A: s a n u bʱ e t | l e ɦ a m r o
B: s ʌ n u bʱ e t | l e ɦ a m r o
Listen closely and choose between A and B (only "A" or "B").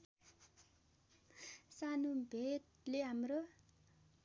A